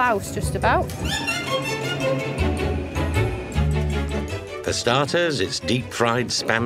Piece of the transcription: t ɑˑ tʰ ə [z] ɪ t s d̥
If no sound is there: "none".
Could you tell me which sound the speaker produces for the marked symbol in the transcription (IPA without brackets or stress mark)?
z